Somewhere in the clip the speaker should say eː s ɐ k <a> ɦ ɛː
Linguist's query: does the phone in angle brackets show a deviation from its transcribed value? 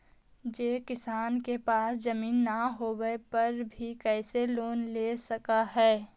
no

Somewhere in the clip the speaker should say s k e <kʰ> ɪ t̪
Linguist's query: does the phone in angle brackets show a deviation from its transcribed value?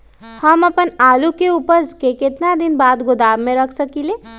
yes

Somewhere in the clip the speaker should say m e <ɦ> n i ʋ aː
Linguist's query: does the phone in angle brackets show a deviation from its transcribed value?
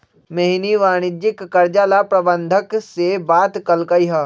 no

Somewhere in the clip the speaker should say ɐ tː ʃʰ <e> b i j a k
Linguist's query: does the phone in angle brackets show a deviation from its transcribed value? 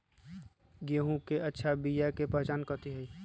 yes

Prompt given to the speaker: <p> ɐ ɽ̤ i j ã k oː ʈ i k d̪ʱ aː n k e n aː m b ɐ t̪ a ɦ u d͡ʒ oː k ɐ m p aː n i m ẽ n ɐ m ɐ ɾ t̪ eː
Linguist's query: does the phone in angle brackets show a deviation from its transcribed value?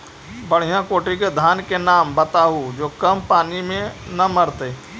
yes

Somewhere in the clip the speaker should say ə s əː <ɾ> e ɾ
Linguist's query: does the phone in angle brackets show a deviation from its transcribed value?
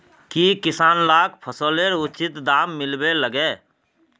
yes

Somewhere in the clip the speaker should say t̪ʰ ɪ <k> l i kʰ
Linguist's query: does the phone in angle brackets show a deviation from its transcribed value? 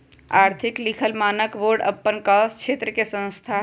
no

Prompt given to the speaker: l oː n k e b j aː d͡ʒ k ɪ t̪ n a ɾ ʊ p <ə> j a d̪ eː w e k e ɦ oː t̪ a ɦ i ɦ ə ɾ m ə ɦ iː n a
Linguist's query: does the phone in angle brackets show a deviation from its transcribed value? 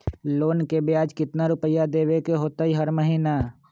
no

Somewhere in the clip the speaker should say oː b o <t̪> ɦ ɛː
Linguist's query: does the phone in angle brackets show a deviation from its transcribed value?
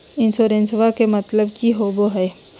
yes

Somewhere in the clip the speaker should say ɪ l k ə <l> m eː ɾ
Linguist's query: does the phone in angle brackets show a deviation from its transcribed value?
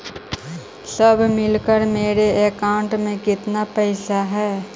yes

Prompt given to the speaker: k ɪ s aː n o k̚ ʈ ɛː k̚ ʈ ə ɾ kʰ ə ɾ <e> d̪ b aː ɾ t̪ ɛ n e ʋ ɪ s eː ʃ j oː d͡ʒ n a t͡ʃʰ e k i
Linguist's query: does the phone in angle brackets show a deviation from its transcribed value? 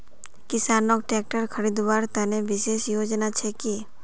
yes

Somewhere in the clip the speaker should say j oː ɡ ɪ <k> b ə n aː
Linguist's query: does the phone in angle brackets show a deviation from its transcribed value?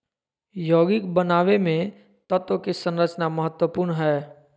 no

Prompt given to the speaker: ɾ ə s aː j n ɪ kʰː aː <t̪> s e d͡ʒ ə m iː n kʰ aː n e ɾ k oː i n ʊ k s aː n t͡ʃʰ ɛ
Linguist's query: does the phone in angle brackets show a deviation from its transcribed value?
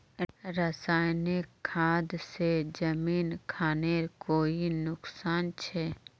yes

